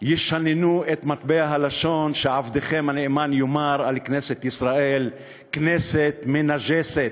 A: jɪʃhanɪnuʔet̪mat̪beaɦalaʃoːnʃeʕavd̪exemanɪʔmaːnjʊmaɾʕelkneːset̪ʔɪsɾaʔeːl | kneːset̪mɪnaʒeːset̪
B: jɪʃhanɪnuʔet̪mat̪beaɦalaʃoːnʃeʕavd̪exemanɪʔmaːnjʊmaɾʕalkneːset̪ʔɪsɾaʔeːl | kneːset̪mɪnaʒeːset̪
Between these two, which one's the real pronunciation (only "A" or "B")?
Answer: B